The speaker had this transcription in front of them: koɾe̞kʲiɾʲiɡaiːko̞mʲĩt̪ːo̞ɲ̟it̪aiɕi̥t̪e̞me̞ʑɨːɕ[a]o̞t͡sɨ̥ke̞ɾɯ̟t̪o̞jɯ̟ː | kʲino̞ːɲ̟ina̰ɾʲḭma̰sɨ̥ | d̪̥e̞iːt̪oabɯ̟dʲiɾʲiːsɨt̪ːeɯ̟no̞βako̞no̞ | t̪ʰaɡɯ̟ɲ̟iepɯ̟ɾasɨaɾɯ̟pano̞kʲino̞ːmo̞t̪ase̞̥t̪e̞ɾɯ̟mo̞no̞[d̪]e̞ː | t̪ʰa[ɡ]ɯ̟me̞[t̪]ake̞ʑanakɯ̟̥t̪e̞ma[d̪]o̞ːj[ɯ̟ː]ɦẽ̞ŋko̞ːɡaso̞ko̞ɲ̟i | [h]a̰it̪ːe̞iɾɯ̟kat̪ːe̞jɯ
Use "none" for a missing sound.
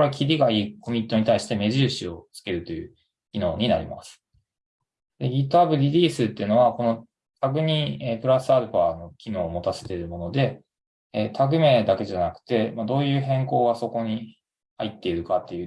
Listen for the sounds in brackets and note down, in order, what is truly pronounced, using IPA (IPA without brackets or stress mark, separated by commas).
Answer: i, d̪, ɡ, d̪, d̪, ɯ̟ː, h